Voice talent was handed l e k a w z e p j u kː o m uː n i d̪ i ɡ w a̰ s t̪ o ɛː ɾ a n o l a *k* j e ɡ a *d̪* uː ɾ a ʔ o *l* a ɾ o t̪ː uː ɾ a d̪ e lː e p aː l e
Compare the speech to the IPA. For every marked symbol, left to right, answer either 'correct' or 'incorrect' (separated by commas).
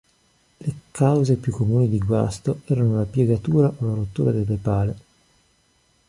incorrect, incorrect, correct